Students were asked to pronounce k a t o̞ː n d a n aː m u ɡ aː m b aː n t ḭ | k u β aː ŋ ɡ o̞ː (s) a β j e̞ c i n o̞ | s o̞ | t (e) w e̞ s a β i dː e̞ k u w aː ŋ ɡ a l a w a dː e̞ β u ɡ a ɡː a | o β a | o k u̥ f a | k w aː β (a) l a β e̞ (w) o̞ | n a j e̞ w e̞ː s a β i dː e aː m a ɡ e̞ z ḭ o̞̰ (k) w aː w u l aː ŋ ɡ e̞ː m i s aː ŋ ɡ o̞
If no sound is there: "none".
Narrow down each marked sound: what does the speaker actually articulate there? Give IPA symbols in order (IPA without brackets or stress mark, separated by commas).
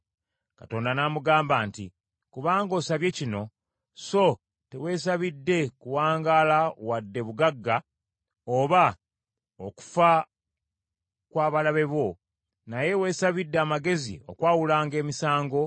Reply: s, e, a, β, k